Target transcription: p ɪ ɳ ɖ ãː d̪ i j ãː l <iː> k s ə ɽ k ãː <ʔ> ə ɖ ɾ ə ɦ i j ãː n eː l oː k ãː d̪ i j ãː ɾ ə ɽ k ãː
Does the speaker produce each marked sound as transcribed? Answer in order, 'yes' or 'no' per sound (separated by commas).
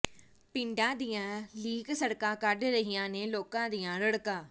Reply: yes, no